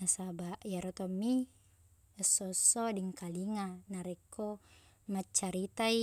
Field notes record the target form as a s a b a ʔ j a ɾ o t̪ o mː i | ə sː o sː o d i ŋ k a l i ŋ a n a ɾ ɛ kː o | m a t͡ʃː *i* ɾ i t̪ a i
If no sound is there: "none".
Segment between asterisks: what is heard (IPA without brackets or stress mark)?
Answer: a